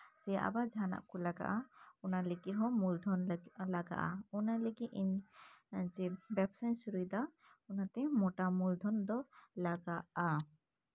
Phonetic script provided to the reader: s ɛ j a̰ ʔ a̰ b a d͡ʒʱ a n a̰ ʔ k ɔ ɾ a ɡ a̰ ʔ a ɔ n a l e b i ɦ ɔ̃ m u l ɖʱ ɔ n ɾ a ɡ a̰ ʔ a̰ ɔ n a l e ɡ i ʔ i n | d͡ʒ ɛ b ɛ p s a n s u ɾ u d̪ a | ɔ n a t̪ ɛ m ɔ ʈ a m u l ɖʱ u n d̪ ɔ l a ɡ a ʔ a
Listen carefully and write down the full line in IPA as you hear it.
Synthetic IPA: s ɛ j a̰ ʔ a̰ b a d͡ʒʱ a n a̰ ʔ k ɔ l a ɡ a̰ ʔ a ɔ n a l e ɡ i ɦ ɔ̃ m u l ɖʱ ɔ n l a ɡ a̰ ʔ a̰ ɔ n a l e ɡ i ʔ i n | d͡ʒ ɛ b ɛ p s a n s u ɾ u d̪ a | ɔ n a t̪ ɛ m ɔ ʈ a m u l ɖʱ ɔ n d̪ ɔ l a ɡ a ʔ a